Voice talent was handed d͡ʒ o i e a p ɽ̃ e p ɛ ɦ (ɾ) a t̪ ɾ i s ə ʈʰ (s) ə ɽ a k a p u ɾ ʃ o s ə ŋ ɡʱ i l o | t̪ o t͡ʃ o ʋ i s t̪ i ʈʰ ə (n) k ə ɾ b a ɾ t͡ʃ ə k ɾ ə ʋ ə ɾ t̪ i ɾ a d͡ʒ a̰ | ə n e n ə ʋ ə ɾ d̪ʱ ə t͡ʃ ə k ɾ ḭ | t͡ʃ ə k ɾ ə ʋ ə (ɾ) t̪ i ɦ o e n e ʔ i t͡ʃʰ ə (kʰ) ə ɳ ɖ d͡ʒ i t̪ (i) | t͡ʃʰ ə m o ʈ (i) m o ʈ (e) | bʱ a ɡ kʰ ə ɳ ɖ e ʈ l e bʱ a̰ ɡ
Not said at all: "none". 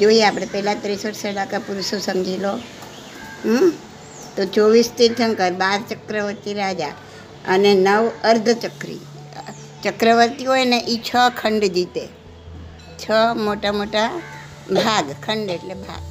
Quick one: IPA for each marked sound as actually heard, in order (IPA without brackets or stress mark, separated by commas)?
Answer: l, s, ŋ, ɾ, kʰ, e, a, a